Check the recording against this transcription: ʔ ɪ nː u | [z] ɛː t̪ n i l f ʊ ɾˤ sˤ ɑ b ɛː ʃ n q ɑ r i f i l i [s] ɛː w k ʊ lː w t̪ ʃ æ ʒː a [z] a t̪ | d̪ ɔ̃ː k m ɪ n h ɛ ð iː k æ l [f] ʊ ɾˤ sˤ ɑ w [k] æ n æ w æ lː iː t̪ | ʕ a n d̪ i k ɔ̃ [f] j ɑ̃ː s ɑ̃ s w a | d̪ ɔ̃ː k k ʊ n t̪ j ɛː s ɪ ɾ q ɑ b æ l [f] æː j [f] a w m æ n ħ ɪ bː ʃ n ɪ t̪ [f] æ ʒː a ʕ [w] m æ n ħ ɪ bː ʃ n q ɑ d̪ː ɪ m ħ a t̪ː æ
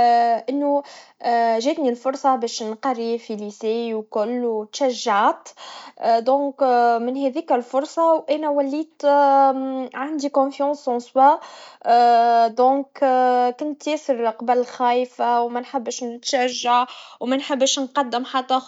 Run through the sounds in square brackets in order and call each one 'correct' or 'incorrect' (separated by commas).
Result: incorrect, correct, incorrect, correct, incorrect, correct, incorrect, correct, incorrect, correct